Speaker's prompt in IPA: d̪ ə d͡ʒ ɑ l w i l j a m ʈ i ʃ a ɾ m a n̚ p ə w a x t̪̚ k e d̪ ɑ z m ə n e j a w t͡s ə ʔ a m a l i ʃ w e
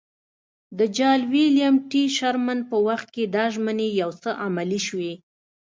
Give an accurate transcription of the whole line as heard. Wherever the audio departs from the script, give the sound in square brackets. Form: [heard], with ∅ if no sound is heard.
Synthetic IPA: d̪ ə d͡ʒ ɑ l w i l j a m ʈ i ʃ a ɾ m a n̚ p ə w a x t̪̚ k e d̪ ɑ [ʒ] m ə n e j a w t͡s ə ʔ a m a l i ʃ w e

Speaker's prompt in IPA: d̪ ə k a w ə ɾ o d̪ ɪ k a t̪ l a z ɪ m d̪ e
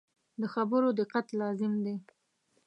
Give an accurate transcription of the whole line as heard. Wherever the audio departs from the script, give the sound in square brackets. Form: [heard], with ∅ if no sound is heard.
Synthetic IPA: d̪ ə [x] a [b] ə ɾ o d̪ ɪ [q] a t̪ l [ɑ] z ɪ m d̪ e

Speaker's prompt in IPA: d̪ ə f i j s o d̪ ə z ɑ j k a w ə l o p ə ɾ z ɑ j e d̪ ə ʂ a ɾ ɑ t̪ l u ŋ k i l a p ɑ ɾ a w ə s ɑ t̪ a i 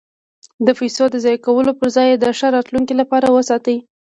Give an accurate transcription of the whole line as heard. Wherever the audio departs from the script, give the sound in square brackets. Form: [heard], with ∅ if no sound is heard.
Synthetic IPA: d̪ ə f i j s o d̪ ə z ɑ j k a w ə l o p ə ɾ z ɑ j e d̪ ə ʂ a ɾ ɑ t̪ l u ŋ k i l a p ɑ ɾ a w ə s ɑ t̪ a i

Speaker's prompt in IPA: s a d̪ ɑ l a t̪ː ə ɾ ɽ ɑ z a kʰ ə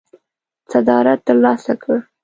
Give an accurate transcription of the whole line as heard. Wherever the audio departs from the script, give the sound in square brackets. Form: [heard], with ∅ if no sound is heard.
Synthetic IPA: s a d̪ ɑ [ɾ] a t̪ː ə ɾ [l] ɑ [s] a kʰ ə

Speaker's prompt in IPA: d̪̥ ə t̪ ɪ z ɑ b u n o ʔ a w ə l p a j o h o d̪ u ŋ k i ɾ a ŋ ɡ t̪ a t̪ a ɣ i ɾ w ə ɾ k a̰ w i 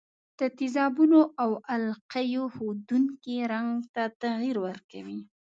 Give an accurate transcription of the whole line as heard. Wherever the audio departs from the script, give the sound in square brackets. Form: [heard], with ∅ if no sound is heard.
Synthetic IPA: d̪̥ ə t̪ ɪ z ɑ b u n o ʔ a w [a] l [q] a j o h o d̪ u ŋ k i ɾ a ŋ ɡ t̪ a t̪ a ɣ i ɾ w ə ɾ k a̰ w i

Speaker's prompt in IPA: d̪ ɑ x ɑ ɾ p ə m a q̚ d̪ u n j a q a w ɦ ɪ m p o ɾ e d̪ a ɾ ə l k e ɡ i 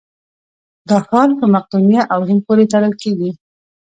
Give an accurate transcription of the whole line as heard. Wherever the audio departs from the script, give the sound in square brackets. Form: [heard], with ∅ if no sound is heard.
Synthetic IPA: d̪ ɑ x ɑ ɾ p ə m a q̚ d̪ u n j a [ʔ] a w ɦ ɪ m p o ɾ e [t̪] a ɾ ə l k e ɡ i

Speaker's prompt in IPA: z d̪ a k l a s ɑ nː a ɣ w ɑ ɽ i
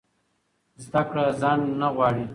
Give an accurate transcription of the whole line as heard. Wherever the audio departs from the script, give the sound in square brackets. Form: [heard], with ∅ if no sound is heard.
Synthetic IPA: z d̪ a k [ɽ] a [z] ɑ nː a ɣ w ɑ ɽ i

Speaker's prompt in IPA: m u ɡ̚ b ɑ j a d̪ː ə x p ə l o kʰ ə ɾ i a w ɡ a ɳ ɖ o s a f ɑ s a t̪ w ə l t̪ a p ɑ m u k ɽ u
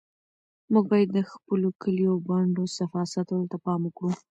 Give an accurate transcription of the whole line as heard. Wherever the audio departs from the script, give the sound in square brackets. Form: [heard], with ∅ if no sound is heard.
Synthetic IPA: m u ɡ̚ b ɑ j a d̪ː ə x p ə l o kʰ ə [l] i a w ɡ a ɳ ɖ o s a f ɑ s a t̪ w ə l t̪ a p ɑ m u k ɽ u

